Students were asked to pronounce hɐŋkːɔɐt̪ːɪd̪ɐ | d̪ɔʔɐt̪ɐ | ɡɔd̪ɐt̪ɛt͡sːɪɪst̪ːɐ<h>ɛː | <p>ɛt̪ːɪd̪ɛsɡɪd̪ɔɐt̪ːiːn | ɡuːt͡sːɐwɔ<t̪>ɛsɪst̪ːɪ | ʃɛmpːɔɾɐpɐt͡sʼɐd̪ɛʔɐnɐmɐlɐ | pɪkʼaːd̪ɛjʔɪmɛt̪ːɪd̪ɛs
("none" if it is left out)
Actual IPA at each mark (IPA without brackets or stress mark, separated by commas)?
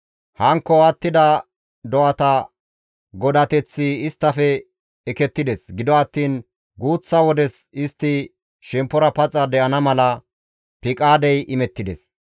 f, k, d̪